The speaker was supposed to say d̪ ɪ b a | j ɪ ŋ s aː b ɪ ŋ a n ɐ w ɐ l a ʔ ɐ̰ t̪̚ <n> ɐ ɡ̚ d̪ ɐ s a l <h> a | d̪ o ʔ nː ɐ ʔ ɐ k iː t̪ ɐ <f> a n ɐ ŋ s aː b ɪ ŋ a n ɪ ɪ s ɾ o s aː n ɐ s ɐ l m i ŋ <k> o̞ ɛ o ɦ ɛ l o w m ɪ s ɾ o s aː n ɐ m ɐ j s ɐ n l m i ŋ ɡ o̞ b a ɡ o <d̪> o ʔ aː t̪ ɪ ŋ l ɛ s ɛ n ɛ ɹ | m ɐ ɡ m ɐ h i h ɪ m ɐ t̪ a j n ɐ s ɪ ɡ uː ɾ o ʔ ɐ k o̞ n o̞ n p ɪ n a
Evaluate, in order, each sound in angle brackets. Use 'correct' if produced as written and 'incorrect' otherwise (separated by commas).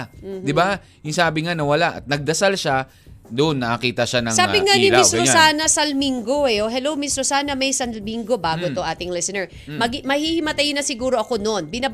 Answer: correct, incorrect, incorrect, incorrect, incorrect